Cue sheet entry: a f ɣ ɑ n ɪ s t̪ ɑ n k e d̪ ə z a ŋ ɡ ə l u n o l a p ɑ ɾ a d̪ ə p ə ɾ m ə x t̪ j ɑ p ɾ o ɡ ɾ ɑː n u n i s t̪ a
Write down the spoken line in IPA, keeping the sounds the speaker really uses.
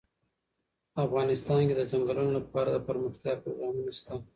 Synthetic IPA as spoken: a f ɣ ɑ n ɪ s t̪ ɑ n k e d̪ ə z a ŋ ɡ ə l u n o l a p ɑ ɾ a d̪ ə p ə ɾ m ə x t̪ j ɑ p ɾ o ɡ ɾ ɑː m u n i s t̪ a